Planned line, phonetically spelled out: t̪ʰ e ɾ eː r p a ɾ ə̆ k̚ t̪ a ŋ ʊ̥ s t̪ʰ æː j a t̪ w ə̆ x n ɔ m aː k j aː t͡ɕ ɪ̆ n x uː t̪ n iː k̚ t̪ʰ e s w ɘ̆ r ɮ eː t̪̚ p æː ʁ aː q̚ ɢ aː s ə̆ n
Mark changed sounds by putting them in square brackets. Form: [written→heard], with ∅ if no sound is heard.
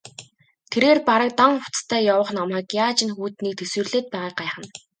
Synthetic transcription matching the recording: t̪ʰ e ɾ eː r p a ɾ ə̆ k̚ t̪ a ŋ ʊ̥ [s→t͡s] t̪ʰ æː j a [t̪→∅] w ə̆ [x→χ] n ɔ m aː k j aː t͡ɕ ɪ̆ n x uː t̪ n iː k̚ t̪ʰ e s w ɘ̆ r ɮ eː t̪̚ p æː ʁ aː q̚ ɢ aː [s→χ] ə̆ n